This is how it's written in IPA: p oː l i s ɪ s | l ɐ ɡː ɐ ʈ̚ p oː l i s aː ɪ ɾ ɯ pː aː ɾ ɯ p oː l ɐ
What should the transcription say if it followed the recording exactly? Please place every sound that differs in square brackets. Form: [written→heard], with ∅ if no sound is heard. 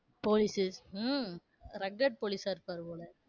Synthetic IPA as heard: p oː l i s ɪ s | [l→ɾ] ɐ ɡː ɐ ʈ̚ p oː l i s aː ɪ ɾ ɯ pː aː ɾ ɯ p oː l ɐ